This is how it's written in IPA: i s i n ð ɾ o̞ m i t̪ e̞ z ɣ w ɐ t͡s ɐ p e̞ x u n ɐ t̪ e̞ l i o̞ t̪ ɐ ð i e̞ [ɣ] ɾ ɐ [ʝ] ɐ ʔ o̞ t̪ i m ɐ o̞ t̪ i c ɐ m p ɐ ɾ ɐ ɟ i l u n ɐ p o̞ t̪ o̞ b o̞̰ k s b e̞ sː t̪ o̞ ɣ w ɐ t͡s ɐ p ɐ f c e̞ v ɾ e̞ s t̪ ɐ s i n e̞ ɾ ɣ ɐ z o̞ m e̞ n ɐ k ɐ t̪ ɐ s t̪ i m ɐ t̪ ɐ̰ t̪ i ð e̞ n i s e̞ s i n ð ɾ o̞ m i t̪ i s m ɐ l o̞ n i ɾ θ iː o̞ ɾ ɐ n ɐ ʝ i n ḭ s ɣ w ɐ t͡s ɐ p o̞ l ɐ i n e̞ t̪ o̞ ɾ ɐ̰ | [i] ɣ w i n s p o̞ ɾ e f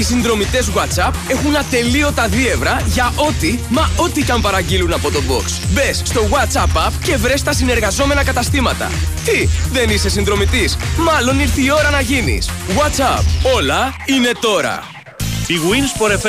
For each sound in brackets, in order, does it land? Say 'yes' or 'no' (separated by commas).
no, yes, yes